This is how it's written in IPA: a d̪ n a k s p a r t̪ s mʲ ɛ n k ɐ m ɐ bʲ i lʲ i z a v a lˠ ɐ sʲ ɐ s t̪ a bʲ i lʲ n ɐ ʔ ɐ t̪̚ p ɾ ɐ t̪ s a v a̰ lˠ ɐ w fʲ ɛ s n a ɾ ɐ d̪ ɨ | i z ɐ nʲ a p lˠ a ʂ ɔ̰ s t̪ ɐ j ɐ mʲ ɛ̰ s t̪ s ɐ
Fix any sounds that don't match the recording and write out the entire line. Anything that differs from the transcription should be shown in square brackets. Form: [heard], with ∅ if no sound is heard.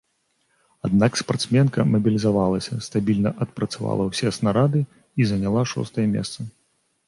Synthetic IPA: a d̪ n a k s p a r t̪ s mʲ ɛ n k ɐ m ɐ bʲ i lʲ i z a v a lˠ ɐ sʲ ɐ s t̪ a bʲ i lʲ n ɐ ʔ ɐ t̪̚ p ɾ ɐ t̪ s a v a̰ lˠ ɐ w [sʲ] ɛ s n a ɾ [a] d̪ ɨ | i z ɐ nʲ a [∅] lˠ a ʂ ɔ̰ s t̪ ɐ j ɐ mʲ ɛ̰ s t̪ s ɐ

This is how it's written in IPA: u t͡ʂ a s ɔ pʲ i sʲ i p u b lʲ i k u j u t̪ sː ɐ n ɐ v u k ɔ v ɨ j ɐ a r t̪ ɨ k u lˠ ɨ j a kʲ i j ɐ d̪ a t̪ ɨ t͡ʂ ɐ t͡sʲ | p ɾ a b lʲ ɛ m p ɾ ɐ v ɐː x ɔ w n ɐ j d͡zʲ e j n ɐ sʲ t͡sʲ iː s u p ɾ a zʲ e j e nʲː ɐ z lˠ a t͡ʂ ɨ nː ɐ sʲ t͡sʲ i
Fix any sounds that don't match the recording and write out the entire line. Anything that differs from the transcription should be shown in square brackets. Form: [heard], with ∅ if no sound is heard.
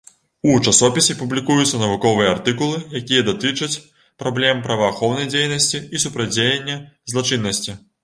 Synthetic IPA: u t͡ʂ a s ɔ pʲ i sʲ i p u b lʲ i k u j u t̪ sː ɐ n ɐ v u k ɔ v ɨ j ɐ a r t̪ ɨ k u lˠ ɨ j a kʲ i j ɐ d̪ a t̪ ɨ t͡ʂ ɐ t͡sʲ | p ɾ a b lʲ ɛ m p ɾ ɐ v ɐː x ɔ w n ɐ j d͡zʲ e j n ɐ sʲ t͡sʲ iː s u p ɾ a [d͡zʲ] e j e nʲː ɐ z lˠ a t͡ʂ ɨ nː ɐ sʲ t͡sʲ i

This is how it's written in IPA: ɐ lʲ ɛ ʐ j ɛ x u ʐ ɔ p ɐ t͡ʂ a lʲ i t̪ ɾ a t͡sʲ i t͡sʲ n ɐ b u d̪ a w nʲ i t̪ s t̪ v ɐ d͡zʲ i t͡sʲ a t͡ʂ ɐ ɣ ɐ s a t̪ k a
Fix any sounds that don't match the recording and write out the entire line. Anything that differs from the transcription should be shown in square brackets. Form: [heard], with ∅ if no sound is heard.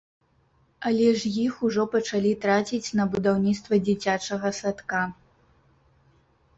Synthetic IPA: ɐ lʲ ɛ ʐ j [i] x u ʐ ɔ p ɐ t͡ʂ a lʲ i t̪ ɾ a t͡sʲ i t͡sʲ n ɐ b u d̪ a w nʲ i t̪ s t̪ v ɐ d͡zʲ i t͡sʲ a t͡ʂ ɐ ɣ ɐ s a t̪ k a

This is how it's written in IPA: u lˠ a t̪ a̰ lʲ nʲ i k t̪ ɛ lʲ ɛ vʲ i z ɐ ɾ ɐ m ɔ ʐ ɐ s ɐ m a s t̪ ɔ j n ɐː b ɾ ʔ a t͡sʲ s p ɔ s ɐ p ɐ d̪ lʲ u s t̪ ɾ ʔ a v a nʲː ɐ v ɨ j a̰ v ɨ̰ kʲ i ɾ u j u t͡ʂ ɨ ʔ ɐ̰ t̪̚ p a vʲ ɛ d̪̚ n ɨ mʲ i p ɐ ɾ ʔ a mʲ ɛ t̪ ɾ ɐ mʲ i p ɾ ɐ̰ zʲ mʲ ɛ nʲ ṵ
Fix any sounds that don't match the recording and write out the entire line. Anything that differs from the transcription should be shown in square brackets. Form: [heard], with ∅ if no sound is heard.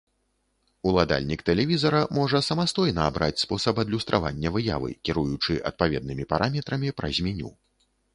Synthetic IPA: u lˠ a [d̪] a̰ lʲ nʲ i k t̪ ɛ lʲ ɛ vʲ i z ɐ ɾ ɐ m ɔ ʐ ɐ s ɐ m a s t̪ ɔ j n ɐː b ɾ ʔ a t͡sʲ s p ɔ s ɐ p ɐ d̪ lʲ u s t̪ ɾ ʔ a v a nʲː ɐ v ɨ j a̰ v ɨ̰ kʲ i ɾ u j u t͡ʂ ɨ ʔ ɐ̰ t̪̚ p a vʲ ɛ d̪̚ n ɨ mʲ i p [a] ɾ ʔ a mʲ ɛ t̪ ɾ ɐ mʲ i p ɾ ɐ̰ zʲ mʲ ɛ nʲ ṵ

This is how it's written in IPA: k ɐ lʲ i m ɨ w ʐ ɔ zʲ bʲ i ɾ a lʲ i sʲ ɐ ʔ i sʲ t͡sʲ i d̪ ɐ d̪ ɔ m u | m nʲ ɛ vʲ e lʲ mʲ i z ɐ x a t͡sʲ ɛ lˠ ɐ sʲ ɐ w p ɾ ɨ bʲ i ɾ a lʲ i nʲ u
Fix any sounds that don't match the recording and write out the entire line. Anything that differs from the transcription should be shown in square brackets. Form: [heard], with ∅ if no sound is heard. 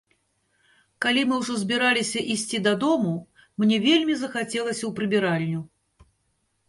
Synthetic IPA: k [a] lʲ i m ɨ w ʐ ɔ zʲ bʲ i ɾ a lʲ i sʲ ɐ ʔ i sʲ t͡sʲ i d̪ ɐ d̪ ɔ m u | m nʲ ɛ vʲ e lʲ mʲ i z ɐ x a t͡sʲ ɛ lˠ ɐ sʲ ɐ w p ɾ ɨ bʲ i ɾ a lʲ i nʲ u

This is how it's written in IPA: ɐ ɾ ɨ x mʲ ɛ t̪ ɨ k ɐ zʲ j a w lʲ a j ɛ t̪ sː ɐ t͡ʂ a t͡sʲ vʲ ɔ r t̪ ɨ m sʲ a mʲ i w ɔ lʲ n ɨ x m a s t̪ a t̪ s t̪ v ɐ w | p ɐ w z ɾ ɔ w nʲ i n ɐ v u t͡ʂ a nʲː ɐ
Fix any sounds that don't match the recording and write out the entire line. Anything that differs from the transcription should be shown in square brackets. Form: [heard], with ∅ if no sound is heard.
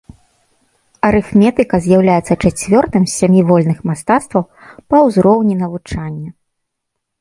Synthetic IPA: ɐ ɾ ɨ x mʲ ɛ t̪ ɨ k ɐ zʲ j a w lʲ a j ɛ t̪ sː ɐ t͡ʂ a t͡sʲ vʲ ɔ r t̪ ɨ m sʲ a mʲ i [v] ɔ lʲ n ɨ x m a s t̪ a t̪ s t̪ v ɐ w | p ɐ w z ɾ ɔ w nʲ i n ɐ v u t͡ʂ a nʲː ɐ

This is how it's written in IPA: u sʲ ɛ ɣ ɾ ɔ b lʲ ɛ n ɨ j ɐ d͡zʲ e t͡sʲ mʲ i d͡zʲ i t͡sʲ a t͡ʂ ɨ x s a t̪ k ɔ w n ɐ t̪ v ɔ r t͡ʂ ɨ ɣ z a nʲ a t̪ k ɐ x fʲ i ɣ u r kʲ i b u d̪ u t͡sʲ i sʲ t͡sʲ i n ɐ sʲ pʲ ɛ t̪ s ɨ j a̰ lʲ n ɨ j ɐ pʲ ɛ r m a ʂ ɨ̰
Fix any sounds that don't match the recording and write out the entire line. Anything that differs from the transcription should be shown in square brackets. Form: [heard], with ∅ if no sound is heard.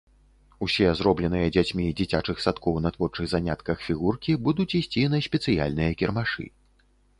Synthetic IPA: u sʲ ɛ [z] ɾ ɔ b lʲ ɛ n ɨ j ɐ d͡zʲ [a] t͡sʲ mʲ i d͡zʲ i t͡sʲ a t͡ʂ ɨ x s a t̪ k ɔ w n ɐ t̪ v ɔ r t͡ʂ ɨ ɣ z a nʲ a t̪ k ɐ x fʲ i ɣ u r kʲ i b u d̪ u t͡sʲ i sʲ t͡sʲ i n ɐ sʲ pʲ ɛ t̪ s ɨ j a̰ lʲ n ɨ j ɐ [kʲ] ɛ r m a ʂ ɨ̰

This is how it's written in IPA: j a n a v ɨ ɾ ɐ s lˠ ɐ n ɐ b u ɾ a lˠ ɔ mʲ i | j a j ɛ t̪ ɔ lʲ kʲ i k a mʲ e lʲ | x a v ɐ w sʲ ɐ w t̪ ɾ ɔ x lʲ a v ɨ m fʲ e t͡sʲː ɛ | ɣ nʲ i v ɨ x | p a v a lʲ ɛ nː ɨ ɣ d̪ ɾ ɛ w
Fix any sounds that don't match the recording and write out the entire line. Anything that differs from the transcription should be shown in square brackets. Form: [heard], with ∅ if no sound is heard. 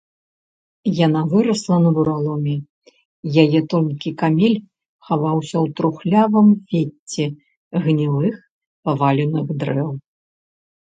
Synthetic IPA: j a n a v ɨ ɾ ɐ s lˠ ɐ n ɐ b u ɾ a lˠ ɔ mʲ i | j a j ɛ t̪ ɔ lʲ kʲ i k a mʲ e lʲ | x a v [a] w sʲ ɐ w t̪ ɾ [u] x lʲ a v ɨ m fʲ e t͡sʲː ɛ | ɣ nʲ i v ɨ x | p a v a lʲ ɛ [n] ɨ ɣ d̪ ɾ ɛ w

